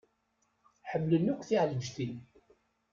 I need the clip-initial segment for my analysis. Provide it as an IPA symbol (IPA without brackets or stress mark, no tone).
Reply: ħ